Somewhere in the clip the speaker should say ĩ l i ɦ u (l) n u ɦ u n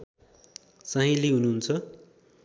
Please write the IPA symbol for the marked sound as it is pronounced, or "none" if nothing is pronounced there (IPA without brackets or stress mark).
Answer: none